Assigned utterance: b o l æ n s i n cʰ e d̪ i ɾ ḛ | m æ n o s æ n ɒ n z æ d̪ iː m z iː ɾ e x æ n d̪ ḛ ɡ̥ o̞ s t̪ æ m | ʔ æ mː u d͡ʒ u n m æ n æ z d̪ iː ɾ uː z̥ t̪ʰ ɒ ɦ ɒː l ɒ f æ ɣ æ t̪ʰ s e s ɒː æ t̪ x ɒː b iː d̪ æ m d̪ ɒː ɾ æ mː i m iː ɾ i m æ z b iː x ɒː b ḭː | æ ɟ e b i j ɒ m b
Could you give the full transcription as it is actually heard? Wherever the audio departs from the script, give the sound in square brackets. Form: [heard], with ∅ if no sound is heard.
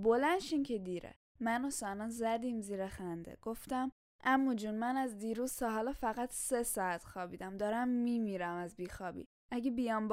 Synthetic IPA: b o l æ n [ʃ] i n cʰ e d̪ i ɾ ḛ | m æ n o s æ n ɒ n z æ d̪ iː m z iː ɾ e x æ n d̪ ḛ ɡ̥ o̞ [f] t̪ æ m | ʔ æ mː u d͡ʒ u n m æ n æ z d̪ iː ɾ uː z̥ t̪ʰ ɒ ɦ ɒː l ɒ f æ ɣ æ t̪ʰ s e s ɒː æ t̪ x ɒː b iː d̪ æ m d̪ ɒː ɾ æ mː i m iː ɾ [æ] m æ z b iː x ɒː b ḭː | æ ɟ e b i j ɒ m b